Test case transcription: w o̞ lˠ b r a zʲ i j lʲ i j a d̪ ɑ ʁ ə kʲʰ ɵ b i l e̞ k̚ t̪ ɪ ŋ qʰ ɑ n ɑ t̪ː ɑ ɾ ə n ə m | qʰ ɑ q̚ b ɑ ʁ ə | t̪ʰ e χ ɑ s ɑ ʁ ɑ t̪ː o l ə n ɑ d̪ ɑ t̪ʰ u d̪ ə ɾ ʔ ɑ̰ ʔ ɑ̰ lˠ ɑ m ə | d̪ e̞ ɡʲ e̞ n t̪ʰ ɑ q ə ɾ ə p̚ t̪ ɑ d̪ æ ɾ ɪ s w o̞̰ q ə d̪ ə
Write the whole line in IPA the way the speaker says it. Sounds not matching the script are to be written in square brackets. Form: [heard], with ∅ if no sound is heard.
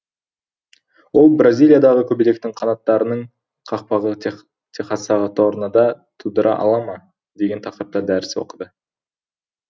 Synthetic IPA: w o̞ lˠ b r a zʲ i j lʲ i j a d̪ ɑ ʁ ə kʲʰ ɵ b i l e̞ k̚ t̪ ɪ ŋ qʰ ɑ n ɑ t̪ː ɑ ɾ ə n ə [ɴ] | qʰ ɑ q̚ [p] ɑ ʁ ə | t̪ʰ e χ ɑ s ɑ ʁ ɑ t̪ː o [ɾ] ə n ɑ d̪ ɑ t̪ʰ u d̪ ə ɾ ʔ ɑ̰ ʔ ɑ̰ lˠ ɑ m [ɑ] | d̪ e̞ ɡʲ e̞ n t̪ʰ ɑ q ə ɾ ə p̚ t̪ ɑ d̪ æ ɾ ɪ s w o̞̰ q ə d̪ ə

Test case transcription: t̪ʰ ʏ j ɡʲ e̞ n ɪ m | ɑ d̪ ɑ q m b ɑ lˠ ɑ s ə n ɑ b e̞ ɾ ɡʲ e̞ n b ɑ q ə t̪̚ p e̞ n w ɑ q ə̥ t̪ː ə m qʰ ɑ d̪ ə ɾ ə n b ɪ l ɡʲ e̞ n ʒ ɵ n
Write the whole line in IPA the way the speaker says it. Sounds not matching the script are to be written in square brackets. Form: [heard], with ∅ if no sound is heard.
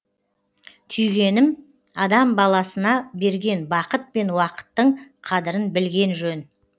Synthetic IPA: t̪ʰ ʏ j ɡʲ e̞ n ɪ m | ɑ d̪ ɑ [∅] m b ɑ lˠ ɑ s ə n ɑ b e̞ ɾ ɡʲ e̞ n b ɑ q ə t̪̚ p e̞ n w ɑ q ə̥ t̪ː ə [ɴ] qʰ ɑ d̪ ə ɾ ə n b ɪ l ɡʲ e̞ n ʒ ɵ n

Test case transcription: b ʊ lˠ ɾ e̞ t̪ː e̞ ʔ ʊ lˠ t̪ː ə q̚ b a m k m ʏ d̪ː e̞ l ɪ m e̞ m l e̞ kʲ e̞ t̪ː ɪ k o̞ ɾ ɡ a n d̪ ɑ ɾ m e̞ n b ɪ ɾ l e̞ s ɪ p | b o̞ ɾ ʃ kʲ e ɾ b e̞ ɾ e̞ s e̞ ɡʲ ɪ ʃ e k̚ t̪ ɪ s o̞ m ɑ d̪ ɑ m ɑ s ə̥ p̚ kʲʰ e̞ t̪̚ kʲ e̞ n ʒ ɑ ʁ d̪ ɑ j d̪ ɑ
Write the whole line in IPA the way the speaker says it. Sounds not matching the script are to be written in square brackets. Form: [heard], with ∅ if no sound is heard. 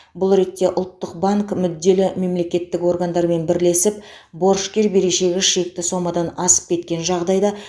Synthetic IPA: b ʊ lˠ ɾ e̞ t̪ː e̞ ʔ ʊ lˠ t̪ː ə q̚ b a [ŋ] k m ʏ d̪ː e̞ l ɪ m e̞ m l e̞ kʲ e̞ t̪ː ɪ k o̞ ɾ ɡ a n d̪ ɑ ɾ m e̞ n b ɪ ɾ l e̞ s ɪ p | b o̞ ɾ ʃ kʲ e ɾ b e̞ ɾ e̞ [ʃ] e̞ ɡʲ ɪ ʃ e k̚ t̪ ɪ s o̞ m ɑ d̪ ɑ [n] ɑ s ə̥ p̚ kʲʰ e̞ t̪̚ kʲ e̞ n ʒ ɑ ʁ d̪ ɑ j d̪ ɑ

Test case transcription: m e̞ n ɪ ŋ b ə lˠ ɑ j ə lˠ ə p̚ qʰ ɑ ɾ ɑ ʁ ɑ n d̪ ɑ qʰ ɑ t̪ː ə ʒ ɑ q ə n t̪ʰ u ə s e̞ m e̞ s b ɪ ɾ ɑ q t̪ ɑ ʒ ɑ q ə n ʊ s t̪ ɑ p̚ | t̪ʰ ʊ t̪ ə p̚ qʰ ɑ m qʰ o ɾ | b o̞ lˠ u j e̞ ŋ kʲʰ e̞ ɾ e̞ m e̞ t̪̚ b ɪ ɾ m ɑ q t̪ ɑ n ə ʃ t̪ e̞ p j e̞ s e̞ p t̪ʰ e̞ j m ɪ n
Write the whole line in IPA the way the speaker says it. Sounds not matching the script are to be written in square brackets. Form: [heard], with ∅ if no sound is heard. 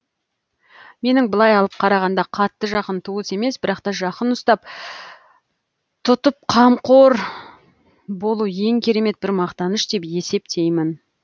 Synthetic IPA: m e̞ n ɪ ŋ b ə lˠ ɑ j [ɑ] lˠ ə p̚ qʰ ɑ ɾ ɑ ʁ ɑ n d̪ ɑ qʰ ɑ t̪ː ə ʒ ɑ q ə n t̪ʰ u ə s e̞ m e̞ s b ɪ ɾ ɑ q t̪ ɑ ʒ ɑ q ə n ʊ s t̪ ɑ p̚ | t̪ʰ ʊ t̪ ə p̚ qʰ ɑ m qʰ o ɾ | b o̞ lˠ u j e̞ ŋ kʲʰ e̞ ɾ e̞ m e̞ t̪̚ b ɪ ɾ m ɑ q t̪ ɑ n ə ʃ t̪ e̞ p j e̞ s e̞ p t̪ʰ e̞ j m ɪ n

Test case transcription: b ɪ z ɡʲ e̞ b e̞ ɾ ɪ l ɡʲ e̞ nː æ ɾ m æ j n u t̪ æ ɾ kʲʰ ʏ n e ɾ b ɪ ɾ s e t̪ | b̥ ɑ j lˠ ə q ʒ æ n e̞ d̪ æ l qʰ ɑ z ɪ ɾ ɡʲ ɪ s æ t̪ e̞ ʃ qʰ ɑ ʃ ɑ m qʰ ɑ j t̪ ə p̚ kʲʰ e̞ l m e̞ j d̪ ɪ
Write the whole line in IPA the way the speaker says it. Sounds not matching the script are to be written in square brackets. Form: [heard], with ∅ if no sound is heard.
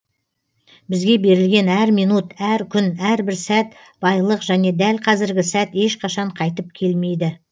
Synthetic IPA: b ɪ z ɡʲ e̞ b e̞ ɾ ɪ l ɡʲ e̞ [n] æ ɾ m [i] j n u t̪ æ ɾ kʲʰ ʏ n [æ] ɾ b ɪ ɾ s [æ] t̪ | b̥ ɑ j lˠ ə q ʒ æ n e̞ d̪ æ l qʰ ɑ z ɪ ɾ ɡʲ ɪ s æ t̪ e̞ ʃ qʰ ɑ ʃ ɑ [ɴ] qʰ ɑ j t̪ ə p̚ kʲʰ e̞ l m e̞ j d̪ ɪ

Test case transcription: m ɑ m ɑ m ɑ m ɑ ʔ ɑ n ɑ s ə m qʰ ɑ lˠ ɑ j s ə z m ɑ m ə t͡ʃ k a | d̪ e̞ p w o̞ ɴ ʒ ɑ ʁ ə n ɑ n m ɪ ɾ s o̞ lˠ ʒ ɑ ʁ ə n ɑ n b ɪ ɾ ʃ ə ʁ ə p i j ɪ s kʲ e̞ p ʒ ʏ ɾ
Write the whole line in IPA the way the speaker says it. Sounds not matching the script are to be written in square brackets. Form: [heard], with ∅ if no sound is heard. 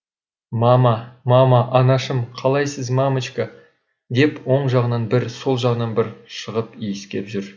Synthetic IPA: m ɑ m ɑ m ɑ m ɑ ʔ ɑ n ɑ [ʃ] ə m qʰ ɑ lˠ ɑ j s ə z m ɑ m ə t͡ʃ k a | d̪ e̞ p w o̞ ɴ ʒ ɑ ʁ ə n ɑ n [b] ɪ ɾ s o̞ lˠ ʒ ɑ ʁ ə n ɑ n b ɪ ɾ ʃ ə ʁ ə p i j ɪ s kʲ e̞ p ʒ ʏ ɾ

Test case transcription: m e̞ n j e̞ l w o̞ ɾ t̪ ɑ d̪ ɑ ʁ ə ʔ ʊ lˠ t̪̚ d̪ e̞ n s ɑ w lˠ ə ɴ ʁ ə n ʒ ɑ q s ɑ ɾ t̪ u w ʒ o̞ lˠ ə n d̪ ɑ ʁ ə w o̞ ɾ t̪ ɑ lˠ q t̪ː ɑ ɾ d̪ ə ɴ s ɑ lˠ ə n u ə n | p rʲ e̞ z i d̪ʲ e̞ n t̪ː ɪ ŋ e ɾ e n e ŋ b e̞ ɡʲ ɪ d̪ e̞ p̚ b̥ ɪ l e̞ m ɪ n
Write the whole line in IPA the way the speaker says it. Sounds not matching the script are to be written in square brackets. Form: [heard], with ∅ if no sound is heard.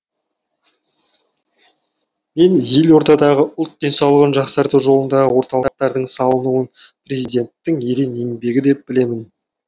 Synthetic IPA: m e̞ n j e̞ l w o̞ ɾ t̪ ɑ d̪ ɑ ʁ ə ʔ ʊ lˠ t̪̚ d̪ e̞ n s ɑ w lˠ ə [∅] ʁ ə n ʒ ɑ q s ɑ ɾ t̪ u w ʒ o̞ lˠ ə n d̪ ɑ ʁ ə w o̞ ɾ t̪ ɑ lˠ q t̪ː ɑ ɾ d̪ ə ɴ s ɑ lˠ ə n u ə n | p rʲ e̞ z i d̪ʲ e̞ n t̪ː ɪ ŋ e ɾ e n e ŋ b e̞ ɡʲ ɪ d̪ e̞ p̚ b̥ ɪ l e̞ m ɪ n

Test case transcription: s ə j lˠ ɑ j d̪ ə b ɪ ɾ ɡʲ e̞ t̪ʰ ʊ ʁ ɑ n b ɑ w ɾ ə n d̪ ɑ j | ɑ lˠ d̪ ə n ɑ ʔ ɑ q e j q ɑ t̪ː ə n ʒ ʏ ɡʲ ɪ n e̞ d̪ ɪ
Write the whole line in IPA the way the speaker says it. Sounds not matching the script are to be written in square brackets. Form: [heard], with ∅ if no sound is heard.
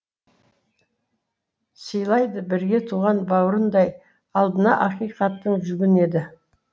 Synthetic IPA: s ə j lˠ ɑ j d̪ ə b ɪ ɾ ɡʲ e̞ t̪ʰ [u] ʁ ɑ n b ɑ w ɾ ə n d̪ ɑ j | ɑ lˠ d̪ ə n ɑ ʔ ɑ q [i] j q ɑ t̪ː ə [ɴ] ʒ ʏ ɡʲ ɪ n e̞ d̪ ɪ

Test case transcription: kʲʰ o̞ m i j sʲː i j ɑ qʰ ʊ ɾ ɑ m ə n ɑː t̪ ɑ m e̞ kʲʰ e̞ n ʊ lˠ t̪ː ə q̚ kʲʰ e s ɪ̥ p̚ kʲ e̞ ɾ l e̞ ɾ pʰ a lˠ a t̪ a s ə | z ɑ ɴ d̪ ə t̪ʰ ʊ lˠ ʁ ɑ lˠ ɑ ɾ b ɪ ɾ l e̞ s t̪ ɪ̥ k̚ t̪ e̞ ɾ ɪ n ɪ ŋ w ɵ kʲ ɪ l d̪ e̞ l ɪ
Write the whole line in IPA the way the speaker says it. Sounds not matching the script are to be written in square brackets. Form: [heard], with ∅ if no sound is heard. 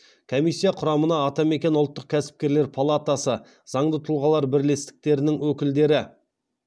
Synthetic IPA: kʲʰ o̞ m i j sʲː i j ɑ qʰ ʊ ɾ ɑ m ə n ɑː t̪ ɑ m e̞ [kʲ] e̞ n ʊ lˠ t̪ː ə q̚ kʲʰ [æ] s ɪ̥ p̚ kʲ e̞ ɾ l e̞ ɾ pʰ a lˠ a t̪ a s ə | z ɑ ɴ d̪ ə t̪ʰ ʊ lˠ ʁ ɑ lˠ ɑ ɾ b ɪ ɾ l e̞ s t̪ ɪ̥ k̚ t̪ e̞ ɾ ɪ n ɪ ŋ w ɵ kʲ ɪ l d̪ e̞ [ɾ] ɪ

